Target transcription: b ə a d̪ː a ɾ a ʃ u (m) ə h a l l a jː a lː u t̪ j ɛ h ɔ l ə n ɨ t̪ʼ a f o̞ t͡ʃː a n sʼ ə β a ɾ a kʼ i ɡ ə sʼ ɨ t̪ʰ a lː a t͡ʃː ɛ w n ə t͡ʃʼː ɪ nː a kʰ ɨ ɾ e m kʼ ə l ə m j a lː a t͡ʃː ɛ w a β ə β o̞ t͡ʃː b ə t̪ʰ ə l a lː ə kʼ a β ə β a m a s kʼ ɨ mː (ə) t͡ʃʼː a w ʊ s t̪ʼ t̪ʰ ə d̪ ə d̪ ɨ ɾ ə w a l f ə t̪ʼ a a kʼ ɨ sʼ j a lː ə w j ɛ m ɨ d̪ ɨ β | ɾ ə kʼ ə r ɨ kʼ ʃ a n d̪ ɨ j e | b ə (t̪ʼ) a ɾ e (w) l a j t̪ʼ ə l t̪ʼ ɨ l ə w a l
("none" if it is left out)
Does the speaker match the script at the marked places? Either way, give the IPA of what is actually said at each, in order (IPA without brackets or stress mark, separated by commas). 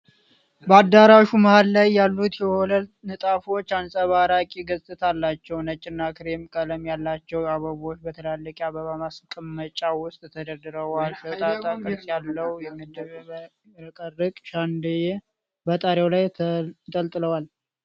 m, ə, t̪ʼ, w